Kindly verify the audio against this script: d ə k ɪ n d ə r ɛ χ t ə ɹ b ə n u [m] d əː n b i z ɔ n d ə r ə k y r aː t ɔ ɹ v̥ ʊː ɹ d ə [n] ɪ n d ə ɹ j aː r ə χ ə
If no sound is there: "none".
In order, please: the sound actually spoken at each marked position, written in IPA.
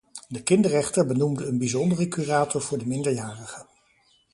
m, m

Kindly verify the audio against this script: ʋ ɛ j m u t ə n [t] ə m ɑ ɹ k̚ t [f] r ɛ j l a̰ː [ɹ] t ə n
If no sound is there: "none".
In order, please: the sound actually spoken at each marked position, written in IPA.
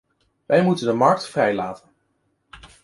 d, f, none

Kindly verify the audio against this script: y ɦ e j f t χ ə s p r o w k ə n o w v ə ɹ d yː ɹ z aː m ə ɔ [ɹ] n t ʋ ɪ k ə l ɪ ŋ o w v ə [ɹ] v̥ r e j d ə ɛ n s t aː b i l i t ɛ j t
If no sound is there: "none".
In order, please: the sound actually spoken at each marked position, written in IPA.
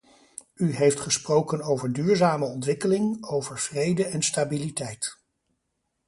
none, ɹ

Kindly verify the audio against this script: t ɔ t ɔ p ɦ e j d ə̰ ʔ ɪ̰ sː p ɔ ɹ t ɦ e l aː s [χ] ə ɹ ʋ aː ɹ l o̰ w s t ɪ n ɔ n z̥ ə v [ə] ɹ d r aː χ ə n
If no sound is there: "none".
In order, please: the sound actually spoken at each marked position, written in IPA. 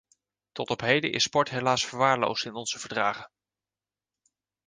f, ə

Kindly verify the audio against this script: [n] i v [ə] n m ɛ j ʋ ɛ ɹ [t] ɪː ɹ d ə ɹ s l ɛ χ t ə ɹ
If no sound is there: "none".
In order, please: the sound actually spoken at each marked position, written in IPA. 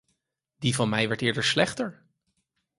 d, ɑ, t

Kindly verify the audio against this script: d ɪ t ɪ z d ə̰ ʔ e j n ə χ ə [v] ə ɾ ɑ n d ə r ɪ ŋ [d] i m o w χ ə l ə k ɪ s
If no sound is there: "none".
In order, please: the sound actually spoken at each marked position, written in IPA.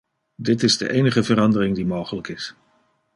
v, d

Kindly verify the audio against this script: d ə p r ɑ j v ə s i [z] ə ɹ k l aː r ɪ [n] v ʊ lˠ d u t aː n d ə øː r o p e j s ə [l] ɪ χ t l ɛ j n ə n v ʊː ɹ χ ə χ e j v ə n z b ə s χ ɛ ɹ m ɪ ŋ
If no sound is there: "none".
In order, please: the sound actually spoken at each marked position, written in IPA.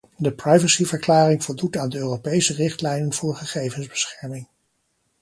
v, ŋ, r

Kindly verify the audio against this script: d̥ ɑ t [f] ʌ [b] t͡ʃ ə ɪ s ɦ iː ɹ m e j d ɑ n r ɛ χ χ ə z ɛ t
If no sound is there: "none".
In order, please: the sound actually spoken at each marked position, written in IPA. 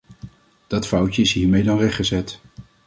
f, w

